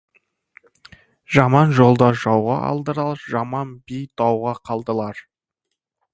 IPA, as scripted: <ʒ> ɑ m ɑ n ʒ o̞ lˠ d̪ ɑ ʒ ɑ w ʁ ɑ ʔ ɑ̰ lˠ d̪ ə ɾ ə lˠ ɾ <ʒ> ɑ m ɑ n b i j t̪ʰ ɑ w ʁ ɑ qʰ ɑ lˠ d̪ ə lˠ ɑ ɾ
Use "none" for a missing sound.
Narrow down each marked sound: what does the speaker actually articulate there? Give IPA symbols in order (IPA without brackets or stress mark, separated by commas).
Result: ʒ, ʒ